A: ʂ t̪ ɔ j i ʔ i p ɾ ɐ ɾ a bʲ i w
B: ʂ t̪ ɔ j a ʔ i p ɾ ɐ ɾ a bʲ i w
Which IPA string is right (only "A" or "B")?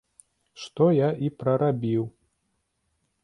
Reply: B